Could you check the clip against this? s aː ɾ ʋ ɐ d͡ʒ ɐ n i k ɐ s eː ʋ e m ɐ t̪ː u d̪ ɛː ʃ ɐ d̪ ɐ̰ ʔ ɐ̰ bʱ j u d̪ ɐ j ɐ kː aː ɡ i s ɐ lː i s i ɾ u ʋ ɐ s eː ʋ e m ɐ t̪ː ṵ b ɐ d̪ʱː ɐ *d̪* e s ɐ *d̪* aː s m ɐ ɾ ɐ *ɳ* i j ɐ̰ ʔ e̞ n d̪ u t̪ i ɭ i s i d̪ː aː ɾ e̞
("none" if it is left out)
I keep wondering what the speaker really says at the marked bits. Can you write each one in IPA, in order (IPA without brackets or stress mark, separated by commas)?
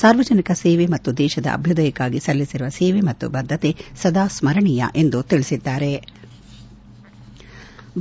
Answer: t̪, d̪, ɳ